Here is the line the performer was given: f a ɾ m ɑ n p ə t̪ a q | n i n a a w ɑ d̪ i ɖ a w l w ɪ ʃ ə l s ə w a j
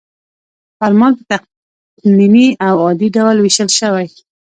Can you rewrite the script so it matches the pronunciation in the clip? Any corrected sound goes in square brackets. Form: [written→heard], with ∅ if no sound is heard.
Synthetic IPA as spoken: f a ɾ m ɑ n p ə t̪ a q | n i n [a→i] a w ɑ d̪ i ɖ a w l w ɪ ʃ ə l [s→ʃ] ə w a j

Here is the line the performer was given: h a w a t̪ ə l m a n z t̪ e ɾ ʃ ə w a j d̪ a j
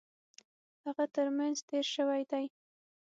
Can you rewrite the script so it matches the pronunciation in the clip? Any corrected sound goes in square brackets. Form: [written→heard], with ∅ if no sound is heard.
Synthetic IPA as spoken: h a [w→ɣ] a t̪ ə [l→ɾ] m a n z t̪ e ɾ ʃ ə w a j d̪ a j

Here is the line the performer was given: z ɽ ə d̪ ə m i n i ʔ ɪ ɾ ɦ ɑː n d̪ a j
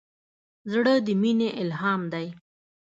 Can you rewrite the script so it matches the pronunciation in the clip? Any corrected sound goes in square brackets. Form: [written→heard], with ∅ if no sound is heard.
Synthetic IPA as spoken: z ɽ ə d̪ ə m i n [i→e] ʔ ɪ [ɾ→l] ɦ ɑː [n→m] d̪ a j

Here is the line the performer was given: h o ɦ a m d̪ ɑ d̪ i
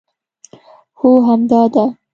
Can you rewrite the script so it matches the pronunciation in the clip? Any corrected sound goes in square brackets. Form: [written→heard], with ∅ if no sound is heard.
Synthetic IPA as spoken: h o ɦ a m d̪ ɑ d̪ [i→a]

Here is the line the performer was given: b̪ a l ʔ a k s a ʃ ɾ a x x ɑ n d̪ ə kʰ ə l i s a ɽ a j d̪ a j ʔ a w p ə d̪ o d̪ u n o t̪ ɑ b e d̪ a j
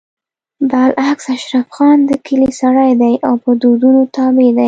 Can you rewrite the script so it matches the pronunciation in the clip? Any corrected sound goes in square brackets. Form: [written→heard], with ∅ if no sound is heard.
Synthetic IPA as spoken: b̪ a l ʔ a k s a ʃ ɾ a [x→f] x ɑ n d̪ ə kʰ ə l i s a ɽ a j d̪ a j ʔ a w p ə d̪ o d̪ u n o t̪ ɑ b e d̪ a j

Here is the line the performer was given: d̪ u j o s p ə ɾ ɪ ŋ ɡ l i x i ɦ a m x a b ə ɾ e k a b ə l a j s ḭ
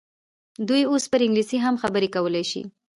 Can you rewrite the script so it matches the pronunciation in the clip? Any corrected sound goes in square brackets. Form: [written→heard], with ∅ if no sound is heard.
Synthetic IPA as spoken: d̪ u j o s p ə ɾ ɪ ŋ ɡ l i [x→s] i ɦ a m x a b ə ɾ e k a [b→w] ə l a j [s→ʃ] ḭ

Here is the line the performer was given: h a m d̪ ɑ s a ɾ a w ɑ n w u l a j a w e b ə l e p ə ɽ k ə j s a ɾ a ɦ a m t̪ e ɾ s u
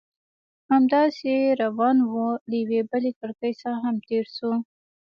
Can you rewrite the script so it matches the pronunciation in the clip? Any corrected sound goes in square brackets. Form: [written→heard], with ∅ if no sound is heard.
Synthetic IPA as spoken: h a m d̪ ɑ s [a→e] ɾ a w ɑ n w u l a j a w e b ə l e [p→k] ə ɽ k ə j s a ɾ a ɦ a m t̪ e ɾ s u

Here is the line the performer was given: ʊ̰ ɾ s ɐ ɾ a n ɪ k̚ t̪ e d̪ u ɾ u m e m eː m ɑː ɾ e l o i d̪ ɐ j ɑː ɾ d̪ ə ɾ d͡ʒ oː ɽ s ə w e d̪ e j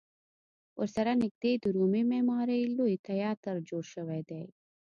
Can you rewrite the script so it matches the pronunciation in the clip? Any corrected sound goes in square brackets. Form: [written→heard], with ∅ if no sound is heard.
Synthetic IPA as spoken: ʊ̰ ɾ s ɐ ɾ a n ɪ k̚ [t̪→d̪] e d̪ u ɾ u m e m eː m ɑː ɾ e l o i [d̪→t̪] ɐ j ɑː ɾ [d̪→t̪] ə ɾ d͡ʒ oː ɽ [s→ʃ] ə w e d̪ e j

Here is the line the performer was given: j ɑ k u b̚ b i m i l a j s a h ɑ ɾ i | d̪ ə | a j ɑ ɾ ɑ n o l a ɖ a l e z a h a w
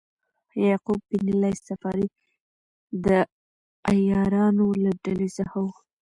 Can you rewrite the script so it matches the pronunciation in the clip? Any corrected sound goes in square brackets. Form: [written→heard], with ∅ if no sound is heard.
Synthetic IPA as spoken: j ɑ [k→q] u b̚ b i [m→n] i l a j s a [h→f] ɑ ɾ i | d̪ ə | a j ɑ ɾ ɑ n o l a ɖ a l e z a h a w

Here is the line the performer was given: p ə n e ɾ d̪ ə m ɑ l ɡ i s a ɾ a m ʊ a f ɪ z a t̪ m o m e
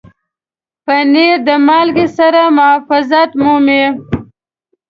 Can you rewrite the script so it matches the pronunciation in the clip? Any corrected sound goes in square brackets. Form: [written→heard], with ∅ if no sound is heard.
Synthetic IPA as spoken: p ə n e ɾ d̪ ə m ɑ l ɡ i s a ɾ a m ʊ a f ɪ z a t̪ m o m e

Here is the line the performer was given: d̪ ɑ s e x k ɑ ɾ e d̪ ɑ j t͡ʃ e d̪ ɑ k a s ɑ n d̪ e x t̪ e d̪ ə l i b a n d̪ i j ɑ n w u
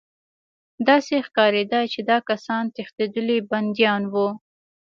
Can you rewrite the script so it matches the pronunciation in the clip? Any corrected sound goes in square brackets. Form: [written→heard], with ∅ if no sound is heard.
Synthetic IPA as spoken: d̪ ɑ s e x k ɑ ɾ e d̪ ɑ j t͡ʃ e d̪ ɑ k a s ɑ n [d̪→t̪] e x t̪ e d̪ ə l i b a n d̪ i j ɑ n w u

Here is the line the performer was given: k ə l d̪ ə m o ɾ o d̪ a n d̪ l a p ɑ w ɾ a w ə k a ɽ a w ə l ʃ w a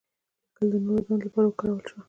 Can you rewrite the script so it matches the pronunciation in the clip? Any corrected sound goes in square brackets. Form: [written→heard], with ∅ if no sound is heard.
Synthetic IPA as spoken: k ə l d̪ ə [m→n] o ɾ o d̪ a n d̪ l a p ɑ [w→∅] ɾ a w ə k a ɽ a w ə l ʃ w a

